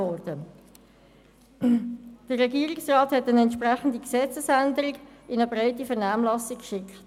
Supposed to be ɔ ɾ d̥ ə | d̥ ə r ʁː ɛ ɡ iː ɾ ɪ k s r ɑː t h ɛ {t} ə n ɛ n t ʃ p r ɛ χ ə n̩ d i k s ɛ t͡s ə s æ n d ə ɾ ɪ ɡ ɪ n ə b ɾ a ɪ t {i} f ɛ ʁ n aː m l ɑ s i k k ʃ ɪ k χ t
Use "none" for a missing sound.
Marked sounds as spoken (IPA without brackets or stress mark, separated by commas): t, i